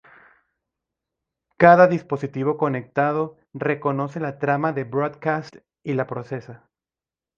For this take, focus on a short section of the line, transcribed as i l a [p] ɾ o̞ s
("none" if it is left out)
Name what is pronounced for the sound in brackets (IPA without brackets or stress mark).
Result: p